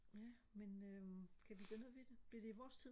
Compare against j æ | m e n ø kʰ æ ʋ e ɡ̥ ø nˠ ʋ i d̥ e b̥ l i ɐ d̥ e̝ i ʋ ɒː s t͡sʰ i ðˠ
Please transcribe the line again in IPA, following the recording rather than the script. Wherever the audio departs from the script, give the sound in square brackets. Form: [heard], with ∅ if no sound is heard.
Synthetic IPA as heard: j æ | m e n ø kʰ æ ʋ [i] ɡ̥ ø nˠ ʋ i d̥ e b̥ l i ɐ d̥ e̝ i ʋ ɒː s t͡sʰ i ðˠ

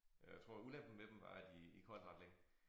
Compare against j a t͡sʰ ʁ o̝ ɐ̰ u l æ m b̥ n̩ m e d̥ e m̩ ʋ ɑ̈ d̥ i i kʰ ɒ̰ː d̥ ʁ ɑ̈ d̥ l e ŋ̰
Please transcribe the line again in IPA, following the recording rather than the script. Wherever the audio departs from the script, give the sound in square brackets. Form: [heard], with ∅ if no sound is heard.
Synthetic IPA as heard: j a t͡sʰ ʁ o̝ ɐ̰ u l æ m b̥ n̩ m e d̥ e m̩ ʋ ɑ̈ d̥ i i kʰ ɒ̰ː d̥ ʁ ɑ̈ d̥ l e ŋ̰

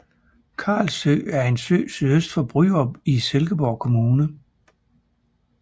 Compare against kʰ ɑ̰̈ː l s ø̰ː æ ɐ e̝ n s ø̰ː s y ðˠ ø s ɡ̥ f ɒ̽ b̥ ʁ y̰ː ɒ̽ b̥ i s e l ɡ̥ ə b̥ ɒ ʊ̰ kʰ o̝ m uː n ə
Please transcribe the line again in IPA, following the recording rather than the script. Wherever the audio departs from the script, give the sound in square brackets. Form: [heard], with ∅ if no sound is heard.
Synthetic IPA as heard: kʰ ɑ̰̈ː l s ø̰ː æ ɐ e̝ n s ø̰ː s y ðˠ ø s [d̥] f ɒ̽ b̥ ʁ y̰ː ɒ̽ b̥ i s e l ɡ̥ ə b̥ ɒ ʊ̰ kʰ o̝ m uː n ə

